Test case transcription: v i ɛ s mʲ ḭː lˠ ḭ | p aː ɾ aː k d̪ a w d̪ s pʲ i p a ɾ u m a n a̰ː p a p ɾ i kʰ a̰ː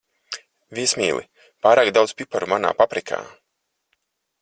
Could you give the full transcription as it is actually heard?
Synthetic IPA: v i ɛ s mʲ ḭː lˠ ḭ | p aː ɾ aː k d̪ a w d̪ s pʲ i p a ɾ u m a n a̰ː p a p ɾ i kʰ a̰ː